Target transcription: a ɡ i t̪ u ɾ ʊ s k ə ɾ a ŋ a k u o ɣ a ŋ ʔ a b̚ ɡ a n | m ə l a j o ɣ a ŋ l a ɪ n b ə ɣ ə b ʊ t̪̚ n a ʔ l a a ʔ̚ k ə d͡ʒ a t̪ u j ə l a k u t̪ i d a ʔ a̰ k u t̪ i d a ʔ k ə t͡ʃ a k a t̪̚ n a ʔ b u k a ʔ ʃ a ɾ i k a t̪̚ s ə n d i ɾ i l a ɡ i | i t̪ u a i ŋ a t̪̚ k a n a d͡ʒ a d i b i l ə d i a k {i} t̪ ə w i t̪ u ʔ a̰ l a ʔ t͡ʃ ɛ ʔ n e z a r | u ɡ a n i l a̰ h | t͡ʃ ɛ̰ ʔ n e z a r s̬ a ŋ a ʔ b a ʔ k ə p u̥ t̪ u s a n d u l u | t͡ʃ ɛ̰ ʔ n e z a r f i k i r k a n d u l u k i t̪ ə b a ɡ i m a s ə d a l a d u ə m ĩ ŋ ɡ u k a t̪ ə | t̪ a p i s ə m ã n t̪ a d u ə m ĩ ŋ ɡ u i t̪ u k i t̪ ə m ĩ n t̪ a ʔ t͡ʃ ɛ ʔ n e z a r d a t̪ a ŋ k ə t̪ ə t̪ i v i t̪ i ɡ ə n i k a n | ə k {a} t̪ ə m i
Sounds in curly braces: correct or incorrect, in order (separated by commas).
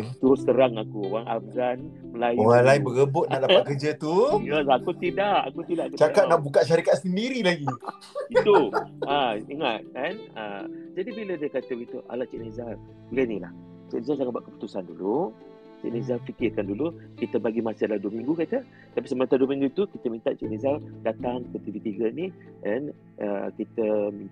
incorrect, incorrect